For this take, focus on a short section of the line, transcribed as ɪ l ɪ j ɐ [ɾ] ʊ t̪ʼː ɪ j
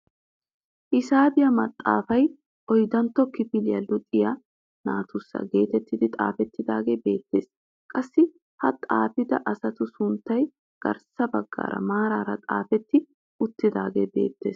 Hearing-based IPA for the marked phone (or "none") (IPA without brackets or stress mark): l